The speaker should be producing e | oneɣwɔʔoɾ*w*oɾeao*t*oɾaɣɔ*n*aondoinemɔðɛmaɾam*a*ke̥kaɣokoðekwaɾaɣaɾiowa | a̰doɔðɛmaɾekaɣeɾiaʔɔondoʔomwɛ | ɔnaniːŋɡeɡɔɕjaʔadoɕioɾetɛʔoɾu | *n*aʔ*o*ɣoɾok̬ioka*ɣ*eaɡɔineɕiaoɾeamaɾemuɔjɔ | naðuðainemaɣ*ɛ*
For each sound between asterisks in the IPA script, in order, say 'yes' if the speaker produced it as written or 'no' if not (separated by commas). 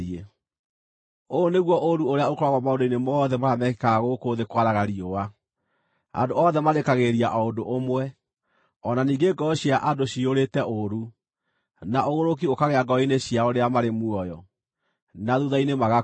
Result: no, no, no, no, yes, yes, yes, no